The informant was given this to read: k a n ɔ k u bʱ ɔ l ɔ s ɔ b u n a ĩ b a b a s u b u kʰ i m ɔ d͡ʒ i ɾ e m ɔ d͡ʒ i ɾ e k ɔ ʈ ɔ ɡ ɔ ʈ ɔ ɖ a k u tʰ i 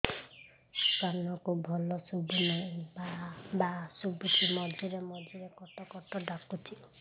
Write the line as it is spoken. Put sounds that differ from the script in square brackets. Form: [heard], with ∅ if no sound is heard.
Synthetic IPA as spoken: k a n ɔ k u bʱ ɔ l ɔ s [u] b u n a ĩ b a b a s u b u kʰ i m ɔ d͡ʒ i ɾ e m ɔ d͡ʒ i ɾ e k ɔ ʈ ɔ [k] ɔ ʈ ɔ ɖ a k u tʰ i